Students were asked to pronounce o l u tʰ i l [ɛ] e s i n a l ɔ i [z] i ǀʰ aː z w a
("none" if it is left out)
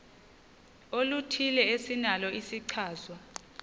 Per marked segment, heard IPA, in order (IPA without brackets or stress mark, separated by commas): ɛ, s